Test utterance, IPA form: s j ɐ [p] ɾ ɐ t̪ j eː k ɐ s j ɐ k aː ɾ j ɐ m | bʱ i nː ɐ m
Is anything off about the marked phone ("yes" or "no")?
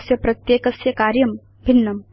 no